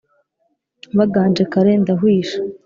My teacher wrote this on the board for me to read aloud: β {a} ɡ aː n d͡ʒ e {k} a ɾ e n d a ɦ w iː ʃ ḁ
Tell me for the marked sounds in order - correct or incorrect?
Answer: correct, correct

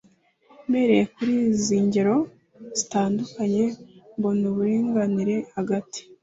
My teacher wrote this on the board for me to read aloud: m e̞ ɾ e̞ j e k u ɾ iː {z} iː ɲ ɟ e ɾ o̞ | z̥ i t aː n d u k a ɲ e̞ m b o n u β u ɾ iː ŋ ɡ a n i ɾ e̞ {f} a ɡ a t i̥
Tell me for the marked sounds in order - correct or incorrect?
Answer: correct, incorrect

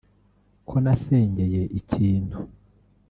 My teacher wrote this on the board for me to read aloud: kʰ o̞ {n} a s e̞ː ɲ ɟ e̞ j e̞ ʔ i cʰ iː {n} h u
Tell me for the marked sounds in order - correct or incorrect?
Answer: correct, correct

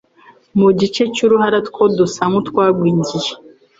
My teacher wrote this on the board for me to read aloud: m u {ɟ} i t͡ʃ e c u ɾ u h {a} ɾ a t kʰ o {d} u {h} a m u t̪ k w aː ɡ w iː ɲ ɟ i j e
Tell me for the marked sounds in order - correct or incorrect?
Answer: correct, correct, correct, incorrect

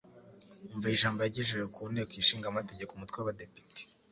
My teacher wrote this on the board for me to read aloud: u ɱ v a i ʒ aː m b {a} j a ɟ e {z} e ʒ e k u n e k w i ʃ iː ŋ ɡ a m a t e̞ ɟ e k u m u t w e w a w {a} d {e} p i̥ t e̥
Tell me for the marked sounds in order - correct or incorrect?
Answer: correct, incorrect, correct, correct

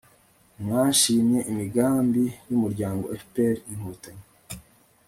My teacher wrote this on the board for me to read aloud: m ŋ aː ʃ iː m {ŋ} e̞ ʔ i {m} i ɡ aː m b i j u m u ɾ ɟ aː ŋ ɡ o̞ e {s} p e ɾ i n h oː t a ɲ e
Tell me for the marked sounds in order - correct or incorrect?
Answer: incorrect, correct, incorrect

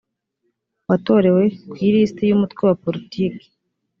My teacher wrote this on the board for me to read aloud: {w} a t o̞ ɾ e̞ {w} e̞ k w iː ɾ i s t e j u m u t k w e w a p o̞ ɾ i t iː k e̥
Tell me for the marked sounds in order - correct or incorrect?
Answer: correct, correct

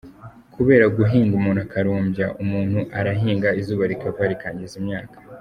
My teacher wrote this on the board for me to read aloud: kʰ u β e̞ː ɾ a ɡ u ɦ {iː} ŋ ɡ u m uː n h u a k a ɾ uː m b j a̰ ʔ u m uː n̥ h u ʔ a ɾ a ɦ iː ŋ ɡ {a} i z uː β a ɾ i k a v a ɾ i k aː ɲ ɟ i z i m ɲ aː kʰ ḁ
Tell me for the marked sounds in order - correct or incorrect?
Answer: correct, correct

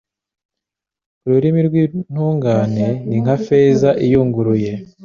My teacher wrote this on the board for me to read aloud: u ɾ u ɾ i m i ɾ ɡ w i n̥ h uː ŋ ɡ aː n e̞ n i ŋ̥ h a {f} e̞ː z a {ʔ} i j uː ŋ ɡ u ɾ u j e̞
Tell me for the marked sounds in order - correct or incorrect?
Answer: correct, correct

